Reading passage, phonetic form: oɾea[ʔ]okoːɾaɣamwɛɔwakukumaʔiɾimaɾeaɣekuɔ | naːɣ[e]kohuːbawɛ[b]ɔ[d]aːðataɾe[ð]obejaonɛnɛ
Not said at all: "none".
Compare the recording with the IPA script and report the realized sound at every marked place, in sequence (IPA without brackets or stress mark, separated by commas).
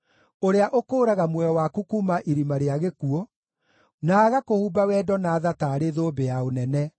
ʔ, a, d, n, ð